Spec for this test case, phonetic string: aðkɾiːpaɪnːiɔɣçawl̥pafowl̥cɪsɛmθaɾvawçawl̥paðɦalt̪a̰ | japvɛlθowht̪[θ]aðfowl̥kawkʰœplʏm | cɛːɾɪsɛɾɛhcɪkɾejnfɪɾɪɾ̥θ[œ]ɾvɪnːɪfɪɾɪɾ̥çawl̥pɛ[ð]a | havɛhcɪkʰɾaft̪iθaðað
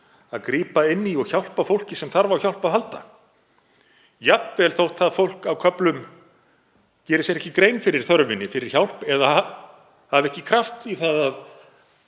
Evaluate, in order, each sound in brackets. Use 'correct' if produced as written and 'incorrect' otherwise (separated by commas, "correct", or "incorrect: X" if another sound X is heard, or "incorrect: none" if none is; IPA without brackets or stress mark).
correct, correct, correct